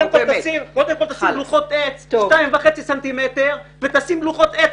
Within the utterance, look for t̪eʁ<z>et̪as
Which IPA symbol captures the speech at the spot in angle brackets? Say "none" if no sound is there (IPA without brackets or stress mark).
v